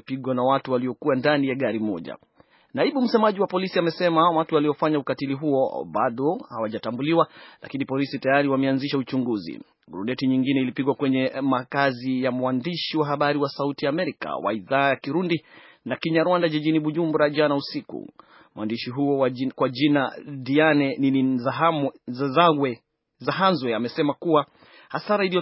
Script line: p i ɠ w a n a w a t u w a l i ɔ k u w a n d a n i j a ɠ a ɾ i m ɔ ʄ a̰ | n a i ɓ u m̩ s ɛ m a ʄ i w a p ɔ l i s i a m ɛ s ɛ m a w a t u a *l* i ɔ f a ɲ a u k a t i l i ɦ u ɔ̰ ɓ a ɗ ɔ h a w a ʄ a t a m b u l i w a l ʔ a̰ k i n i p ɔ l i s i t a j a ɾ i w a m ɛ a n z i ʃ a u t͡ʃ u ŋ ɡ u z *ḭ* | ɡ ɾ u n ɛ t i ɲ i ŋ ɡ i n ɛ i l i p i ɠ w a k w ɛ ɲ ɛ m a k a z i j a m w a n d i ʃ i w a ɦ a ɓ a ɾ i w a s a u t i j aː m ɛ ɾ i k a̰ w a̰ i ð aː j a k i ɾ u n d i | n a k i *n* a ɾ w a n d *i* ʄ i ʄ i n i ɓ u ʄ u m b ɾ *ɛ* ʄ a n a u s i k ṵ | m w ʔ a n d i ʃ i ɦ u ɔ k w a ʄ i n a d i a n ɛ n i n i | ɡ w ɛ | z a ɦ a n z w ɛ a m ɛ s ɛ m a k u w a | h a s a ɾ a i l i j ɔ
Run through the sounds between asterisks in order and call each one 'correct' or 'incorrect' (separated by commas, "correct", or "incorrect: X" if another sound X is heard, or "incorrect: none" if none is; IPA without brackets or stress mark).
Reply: correct, correct, incorrect: ɲ, incorrect: a, incorrect: a